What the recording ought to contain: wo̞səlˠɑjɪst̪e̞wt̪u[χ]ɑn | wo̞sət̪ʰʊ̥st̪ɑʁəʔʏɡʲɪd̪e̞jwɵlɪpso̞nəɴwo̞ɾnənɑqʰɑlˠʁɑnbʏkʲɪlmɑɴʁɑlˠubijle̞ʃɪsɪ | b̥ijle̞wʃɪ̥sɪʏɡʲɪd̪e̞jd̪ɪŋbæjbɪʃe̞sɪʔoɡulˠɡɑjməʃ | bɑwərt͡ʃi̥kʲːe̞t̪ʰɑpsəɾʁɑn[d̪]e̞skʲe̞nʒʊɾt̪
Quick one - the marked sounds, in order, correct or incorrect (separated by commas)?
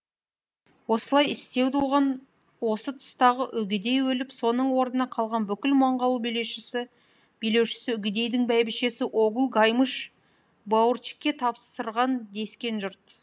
incorrect, correct